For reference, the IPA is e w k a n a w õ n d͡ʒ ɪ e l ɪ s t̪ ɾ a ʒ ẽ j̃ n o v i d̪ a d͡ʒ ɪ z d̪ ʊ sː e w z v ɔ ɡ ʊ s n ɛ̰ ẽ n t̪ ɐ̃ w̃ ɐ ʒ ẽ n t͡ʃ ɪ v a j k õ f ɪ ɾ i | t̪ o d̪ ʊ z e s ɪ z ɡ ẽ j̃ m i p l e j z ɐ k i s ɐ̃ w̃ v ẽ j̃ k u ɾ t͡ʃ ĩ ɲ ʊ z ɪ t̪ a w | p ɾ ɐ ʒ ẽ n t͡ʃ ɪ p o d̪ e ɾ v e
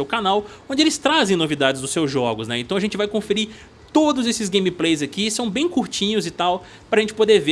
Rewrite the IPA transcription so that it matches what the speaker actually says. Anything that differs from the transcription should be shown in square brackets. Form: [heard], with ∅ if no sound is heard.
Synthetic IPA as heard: e w k a n a w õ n d͡ʒ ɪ e l ɪ s t̪ ɾ a [z] ẽ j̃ n o v i d̪ a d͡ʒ ɪ z d̪ ʊ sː e w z [ʒ] ɔ ɡ ʊ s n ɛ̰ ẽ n t̪ ɐ̃ w̃ ɐ ʒ ẽ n t͡ʃ ɪ v a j k õ f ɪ ɾ i | t̪ o d̪ ʊ z e s ɪ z ɡ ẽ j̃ m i p l e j z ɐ k i s ɐ̃ w̃ [b] ẽ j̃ k u ɾ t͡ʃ ĩ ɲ ʊ z ɪ t̪ a w | p ɾ ɐ ʒ ẽ n t͡ʃ ɪ p o d̪ e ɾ v e